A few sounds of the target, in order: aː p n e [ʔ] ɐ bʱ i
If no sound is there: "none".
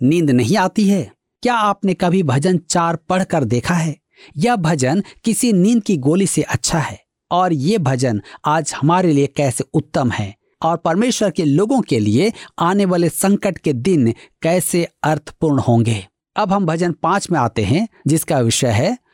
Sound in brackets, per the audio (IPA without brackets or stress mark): k